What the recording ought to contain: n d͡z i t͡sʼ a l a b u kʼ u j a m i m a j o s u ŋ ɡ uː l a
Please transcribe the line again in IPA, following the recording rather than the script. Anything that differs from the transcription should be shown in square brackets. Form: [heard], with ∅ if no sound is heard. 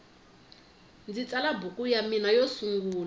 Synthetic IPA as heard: n d͡z i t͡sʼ a l a b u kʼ u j a m i [n] a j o s u ŋ ɡ uː l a